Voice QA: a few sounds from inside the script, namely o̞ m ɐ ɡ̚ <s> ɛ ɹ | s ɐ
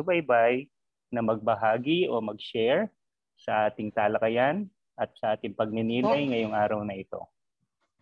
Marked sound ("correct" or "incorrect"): incorrect